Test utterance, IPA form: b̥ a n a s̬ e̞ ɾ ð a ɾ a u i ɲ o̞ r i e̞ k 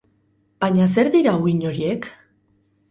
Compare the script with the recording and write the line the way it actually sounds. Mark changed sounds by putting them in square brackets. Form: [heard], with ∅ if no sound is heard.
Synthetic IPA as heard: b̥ a [ɲ] a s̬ e̞ ɾ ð [i] ɾ a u i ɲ o̞ [ɾ] i e̞ k